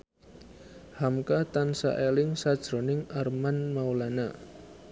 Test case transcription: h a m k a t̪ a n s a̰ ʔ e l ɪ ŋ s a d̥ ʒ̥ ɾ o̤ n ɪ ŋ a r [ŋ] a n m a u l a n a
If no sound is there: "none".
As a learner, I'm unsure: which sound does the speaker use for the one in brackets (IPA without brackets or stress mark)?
m